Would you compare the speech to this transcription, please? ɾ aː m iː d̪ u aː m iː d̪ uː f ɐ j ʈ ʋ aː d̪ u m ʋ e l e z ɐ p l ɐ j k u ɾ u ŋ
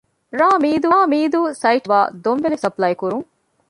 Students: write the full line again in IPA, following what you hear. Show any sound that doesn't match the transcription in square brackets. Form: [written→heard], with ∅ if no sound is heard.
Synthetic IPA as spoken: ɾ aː m iː d̪ u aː m iː d̪ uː [f→s] ɐ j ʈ ʋ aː d̪ [u→o] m ʋ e l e [z→s] ɐ p l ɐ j k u ɾ u ŋ

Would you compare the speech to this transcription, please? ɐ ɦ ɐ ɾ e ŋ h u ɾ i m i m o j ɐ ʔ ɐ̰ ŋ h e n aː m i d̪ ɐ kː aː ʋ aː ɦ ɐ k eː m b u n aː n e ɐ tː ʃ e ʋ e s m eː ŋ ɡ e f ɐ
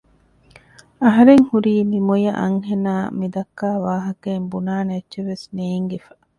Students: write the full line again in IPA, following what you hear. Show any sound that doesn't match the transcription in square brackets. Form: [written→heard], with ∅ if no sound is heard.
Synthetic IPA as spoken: ɐ ɦ ɐ ɾ e ŋ h u ɾ [i→iː] m i m o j ɐ ʔ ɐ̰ ŋ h e n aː m i d̪ ɐ kː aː ʋ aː ɦ ɐ k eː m b u n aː n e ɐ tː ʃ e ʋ e s [m→n] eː ŋ ɡ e f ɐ

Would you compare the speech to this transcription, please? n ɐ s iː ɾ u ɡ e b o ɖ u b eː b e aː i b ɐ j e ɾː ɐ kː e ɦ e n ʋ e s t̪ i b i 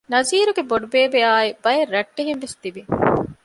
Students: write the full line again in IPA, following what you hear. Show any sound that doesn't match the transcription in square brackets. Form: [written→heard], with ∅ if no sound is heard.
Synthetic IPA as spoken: n ɐ [s→z] iː ɾ u ɡ e b o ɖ u b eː b e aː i b ɐ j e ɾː ɐ [kː→ʈː] e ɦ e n ʋ e s t̪ i b i

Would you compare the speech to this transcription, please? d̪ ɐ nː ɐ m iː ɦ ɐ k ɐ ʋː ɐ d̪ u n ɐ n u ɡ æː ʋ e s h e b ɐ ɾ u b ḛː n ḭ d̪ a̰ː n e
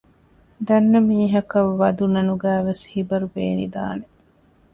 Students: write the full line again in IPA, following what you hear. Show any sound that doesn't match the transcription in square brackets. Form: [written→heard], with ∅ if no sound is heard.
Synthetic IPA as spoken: d̪ ɐ nː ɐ m iː ɦ ɐ k ɐ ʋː ɐ d̪ u n ɐ n u ɡ æː ʋ e s h [e→i] b ɐ ɾ u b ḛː n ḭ d̪ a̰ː n e

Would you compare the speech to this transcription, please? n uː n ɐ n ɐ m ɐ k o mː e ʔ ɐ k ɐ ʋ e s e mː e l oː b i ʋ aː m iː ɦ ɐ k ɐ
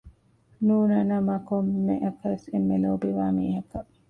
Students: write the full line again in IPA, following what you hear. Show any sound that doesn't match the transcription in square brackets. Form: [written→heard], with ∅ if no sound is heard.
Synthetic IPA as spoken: n uː n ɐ n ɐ m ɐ k o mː e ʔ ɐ k ɐ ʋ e s e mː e l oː b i ʋ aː m iː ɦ ɐ k ɐ

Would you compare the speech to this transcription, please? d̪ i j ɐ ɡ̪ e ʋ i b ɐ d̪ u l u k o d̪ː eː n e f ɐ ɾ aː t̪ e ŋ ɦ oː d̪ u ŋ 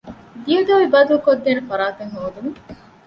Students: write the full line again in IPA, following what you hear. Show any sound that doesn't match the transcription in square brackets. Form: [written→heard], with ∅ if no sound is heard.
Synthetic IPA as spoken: d̪ i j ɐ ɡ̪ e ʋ i b ɐ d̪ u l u k o d̪ː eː n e f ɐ ɾ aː t̪ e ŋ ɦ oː d̪ u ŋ

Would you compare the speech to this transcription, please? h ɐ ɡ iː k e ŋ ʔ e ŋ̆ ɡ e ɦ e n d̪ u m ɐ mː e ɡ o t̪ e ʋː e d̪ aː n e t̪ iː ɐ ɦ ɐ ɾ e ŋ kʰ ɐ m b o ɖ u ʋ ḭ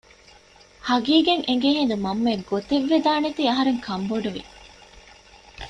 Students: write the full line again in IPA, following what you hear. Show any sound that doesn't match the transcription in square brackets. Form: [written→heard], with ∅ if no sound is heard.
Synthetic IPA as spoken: h ɐ ɡ iː [k→ɡ] e ŋ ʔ e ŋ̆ ɡ e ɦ e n d̪ u m ɐ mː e ɡ o t̪ e ʋː e d̪ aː n e t̪ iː ɐ ɦ ɐ ɾ e ŋ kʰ ɐ m b o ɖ u ʋ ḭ

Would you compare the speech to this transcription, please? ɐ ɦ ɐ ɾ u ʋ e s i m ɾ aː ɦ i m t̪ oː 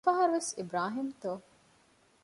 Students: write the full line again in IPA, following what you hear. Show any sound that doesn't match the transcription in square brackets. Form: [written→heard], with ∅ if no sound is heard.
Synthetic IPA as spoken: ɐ ɦ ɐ ɾ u ʋ e s i [m→b] ɾ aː ɦ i m t̪ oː

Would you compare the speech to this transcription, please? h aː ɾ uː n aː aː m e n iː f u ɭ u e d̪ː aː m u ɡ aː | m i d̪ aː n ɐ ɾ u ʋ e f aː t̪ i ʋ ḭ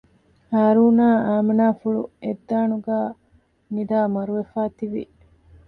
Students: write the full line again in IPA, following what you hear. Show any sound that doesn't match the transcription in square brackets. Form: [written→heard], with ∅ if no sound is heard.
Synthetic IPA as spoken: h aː ɾ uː n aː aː m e n [iː→aː] f u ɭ u e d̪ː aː [m→n] u ɡ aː | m i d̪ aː [n→m] ɐ ɾ u ʋ e f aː t̪ i ʋ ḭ

